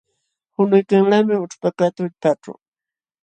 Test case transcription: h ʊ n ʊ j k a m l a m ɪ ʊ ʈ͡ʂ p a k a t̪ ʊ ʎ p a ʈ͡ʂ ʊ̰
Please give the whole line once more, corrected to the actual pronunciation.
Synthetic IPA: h ʊ n ʊ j k a ŋ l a m ɪ ʊ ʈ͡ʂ p a k a t̪ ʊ ʎ p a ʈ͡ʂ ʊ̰